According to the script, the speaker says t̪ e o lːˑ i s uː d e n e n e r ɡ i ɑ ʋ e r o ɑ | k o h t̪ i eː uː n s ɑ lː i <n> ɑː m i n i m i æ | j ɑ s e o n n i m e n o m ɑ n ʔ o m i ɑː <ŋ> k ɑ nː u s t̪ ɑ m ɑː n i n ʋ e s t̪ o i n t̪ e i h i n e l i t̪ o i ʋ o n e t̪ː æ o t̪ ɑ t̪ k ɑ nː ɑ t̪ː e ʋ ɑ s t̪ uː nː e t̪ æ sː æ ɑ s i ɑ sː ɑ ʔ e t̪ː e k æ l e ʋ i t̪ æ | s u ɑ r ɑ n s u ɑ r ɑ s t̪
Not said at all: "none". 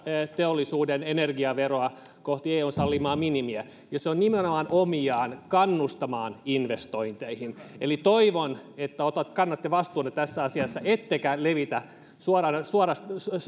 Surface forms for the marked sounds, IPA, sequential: m, n

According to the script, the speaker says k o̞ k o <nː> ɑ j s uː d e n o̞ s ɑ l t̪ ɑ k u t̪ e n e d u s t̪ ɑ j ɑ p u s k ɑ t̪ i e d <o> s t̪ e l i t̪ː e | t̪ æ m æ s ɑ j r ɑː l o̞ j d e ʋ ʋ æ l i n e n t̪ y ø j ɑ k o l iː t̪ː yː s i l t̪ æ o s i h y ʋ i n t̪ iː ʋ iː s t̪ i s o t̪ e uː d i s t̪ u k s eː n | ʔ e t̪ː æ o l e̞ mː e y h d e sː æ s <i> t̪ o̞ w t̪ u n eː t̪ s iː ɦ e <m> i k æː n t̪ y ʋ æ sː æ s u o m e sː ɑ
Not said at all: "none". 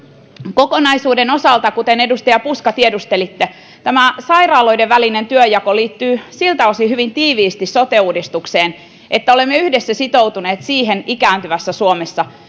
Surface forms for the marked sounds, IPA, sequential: n, u, i, n

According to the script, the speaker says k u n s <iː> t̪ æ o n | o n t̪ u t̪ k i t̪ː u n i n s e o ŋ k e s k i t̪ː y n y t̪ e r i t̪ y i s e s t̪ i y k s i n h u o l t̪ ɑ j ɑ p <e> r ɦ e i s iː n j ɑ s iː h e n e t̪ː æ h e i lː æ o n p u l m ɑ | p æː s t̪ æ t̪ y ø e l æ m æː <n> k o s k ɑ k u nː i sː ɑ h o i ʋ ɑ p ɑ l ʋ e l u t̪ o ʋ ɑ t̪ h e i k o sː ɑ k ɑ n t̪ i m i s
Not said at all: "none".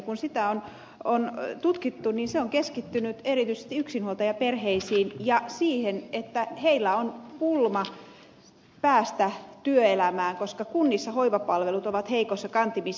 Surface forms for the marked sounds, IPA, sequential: i, e, ŋ

